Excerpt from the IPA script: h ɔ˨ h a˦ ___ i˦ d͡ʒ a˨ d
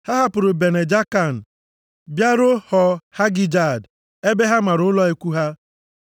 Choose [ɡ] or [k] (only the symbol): ɡ